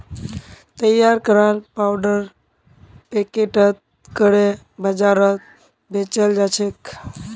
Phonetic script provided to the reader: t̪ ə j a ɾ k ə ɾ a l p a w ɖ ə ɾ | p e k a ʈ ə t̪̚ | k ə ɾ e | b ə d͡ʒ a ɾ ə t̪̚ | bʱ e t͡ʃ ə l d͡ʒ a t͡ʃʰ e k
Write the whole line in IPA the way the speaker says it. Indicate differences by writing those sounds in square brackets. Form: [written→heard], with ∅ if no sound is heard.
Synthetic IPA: t̪ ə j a ɾ k ə ɾ a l p a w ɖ ə ɾ | p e k [a→e] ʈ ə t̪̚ | k ə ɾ e | b ə d͡ʒ a ɾ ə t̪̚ | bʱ e t͡ʃ ə l d͡ʒ a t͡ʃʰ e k

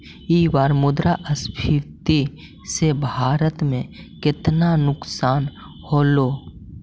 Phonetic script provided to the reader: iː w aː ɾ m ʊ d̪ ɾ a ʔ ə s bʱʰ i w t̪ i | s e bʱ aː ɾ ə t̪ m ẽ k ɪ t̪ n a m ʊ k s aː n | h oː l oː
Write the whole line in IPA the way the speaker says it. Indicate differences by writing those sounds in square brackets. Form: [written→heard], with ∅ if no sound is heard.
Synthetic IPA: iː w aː ɾ m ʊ d̪ ɾ a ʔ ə s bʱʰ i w t̪ i | s e bʱ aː ɾ ə t̪ m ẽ k ɪ t̪ n a [m→n] ʊ k s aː n | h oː l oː

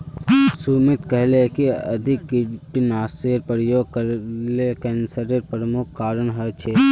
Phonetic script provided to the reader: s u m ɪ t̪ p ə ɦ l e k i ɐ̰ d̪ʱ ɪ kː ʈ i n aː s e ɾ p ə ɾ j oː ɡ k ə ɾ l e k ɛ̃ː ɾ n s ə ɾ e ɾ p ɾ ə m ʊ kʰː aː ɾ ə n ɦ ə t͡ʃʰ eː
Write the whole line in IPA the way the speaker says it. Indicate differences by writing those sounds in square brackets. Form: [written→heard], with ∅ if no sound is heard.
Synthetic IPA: s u m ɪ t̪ [p→k] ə ɦ l e k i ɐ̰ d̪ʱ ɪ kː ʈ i n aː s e ɾ p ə ɾ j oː ɡ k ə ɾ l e k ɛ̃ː [ɾ→∅] n s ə ɾ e ɾ p ɾ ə m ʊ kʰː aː ɾ ə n ɦ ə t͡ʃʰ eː

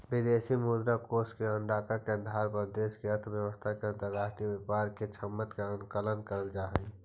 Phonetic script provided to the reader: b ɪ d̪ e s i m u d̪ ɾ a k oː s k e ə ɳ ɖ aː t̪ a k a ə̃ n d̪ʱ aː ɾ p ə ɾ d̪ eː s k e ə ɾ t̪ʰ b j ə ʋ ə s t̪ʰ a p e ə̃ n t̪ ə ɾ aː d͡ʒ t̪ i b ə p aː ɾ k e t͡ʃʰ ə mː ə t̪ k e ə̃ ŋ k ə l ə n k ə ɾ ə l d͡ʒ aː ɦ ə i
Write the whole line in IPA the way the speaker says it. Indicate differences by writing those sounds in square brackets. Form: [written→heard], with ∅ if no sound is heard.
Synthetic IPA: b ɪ d̪ e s i m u d̪ ɾ a k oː s k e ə ɳ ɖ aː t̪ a k [a→e] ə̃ n d̪ʱ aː ɾ p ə ɾ d̪ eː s k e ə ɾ t̪ʰ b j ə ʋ ə s t̪ʰ a [p→k] e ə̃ n t̪ ə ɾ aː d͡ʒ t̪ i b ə p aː ɾ k e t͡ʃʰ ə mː ə t̪ k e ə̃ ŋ k ə l ə n k ə ɾ ə l d͡ʒ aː ɦ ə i

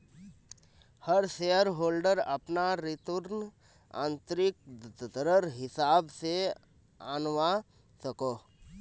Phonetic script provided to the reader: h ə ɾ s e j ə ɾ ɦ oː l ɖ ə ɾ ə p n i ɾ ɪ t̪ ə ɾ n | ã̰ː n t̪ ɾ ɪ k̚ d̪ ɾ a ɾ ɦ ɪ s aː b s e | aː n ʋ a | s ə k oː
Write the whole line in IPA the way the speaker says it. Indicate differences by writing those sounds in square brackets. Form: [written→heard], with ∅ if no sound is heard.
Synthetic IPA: h ə ɾ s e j ə ɾ ɦ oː l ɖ ə ɾ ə p n [i→a] ɾ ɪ t̪ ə ɾ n | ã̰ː n t̪ ɾ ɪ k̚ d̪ ɾ [a→ə] ɾ ɦ ɪ s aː b s e | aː n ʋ a | s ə k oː

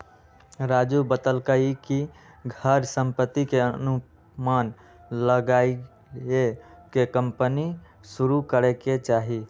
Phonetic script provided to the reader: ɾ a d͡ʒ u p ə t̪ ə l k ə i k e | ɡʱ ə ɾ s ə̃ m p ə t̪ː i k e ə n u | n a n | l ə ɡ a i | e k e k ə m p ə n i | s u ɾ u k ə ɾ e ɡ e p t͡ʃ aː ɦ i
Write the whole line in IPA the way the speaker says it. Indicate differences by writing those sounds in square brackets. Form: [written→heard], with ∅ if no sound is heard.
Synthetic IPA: ɾ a d͡ʒ u [p→b] ə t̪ ə l k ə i k [e→i] | ɡʱ ə ɾ s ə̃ m p ə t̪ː i k e ə n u | [n→m] a n | l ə ɡ a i | e k e k ə m p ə n i | s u ɾ u k ə ɾ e [ɡ→k] e [p→∅] t͡ʃ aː ɦ i

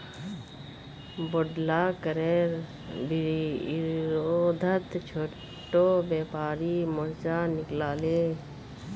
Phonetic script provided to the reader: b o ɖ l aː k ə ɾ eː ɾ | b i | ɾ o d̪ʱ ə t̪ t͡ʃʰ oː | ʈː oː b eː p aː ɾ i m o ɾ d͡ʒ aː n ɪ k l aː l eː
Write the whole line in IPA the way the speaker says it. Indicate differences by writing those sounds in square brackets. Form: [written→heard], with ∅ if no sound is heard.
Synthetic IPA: b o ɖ l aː k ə ɾ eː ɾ | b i | ɾ o d̪ʱ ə t̪ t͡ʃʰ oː | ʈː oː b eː p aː ɾ i m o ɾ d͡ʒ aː n ɪ k l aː l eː

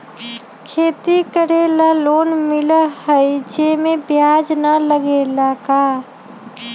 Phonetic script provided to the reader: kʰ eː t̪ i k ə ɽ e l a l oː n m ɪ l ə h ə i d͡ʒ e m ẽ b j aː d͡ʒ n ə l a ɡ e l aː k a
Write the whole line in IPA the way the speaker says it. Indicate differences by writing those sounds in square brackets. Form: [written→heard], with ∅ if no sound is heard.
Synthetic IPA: kʰ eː t̪ i k ə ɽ e l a l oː n m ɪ l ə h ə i d͡ʒ e m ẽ b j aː d͡ʒ n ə l [a→ə] ɡ e l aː k a

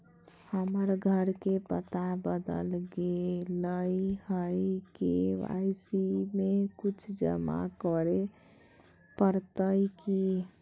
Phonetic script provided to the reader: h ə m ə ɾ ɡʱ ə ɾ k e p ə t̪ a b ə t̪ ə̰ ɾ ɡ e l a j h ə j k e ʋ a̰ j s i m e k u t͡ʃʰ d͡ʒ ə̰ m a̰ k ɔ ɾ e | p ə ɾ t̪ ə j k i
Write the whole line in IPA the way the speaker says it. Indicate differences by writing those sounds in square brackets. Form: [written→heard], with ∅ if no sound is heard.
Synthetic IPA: h ə m ə ɾ ɡʱ ə ɾ k e p ə t̪ a b ə [t̪→d̪] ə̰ [ɾ→l] ɡ e l [a→ə] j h ə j k e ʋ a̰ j s i m e k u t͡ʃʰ d͡ʒ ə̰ m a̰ k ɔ ɾ e | p ə ɾ t̪ ə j k i

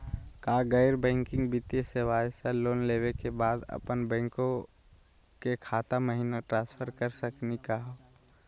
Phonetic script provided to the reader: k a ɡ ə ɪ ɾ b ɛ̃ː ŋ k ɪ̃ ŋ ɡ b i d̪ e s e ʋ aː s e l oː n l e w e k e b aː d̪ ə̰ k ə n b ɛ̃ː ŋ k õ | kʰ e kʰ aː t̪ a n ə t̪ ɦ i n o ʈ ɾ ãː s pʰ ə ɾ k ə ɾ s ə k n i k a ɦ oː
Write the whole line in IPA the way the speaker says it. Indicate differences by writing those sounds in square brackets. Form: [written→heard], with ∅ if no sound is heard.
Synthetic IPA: k a ɡ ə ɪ ɾ b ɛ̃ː ŋ k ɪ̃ ŋ ɡ b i [d̪→t̪] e s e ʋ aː s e l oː n l e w e k e b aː d̪ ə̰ [k→p] ə n b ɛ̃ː ŋ k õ | [kʰ→k] e kʰ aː t̪ a [n→m] ə [t̪→∅] ɦ i n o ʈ ɾ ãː s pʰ ə ɾ k ə ɾ s ə k n i k a ɦ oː

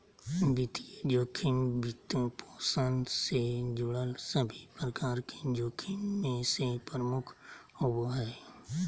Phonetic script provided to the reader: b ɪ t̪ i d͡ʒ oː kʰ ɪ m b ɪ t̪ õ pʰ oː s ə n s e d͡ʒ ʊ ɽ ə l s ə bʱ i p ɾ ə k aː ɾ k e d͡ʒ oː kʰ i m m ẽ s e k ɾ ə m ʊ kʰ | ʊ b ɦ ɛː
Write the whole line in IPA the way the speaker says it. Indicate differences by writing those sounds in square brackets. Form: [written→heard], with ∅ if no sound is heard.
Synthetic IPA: b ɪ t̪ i d͡ʒ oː kʰ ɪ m b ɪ t̪ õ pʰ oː s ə n s e d͡ʒ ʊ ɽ ə l s ə bʱ i p ɾ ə k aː ɾ k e d͡ʒ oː kʰ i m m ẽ s e [k→p] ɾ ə m ʊ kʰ | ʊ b ɦ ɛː

